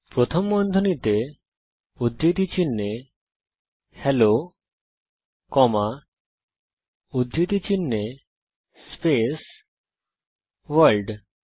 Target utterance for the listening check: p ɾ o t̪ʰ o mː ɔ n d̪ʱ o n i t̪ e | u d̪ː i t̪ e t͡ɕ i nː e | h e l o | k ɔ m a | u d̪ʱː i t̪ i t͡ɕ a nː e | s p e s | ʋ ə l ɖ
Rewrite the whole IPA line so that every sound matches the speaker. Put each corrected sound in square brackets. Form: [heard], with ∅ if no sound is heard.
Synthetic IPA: p ɾ o t̪ʰ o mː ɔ n d̪ʱ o n i t̪ e | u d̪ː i t̪ [i] t͡ɕ i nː e | h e l o | k ɔ m a | u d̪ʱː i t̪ i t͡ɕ [i] nː e | s p e s | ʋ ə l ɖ